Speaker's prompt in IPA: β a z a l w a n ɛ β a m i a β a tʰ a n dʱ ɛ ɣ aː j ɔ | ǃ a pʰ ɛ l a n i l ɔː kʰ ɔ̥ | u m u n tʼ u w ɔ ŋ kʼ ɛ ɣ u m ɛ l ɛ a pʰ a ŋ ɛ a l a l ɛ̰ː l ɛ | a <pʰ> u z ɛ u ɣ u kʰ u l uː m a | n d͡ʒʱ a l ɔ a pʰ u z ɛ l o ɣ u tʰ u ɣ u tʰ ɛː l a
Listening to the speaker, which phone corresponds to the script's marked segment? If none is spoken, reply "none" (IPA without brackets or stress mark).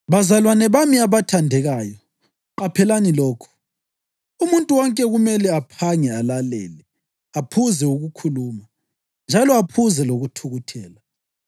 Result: pʰ